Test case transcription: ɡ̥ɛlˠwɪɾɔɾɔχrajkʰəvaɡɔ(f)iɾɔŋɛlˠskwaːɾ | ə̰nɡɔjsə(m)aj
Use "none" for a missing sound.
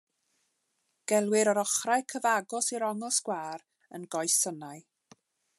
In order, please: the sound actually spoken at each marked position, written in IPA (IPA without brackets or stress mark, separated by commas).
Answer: s, n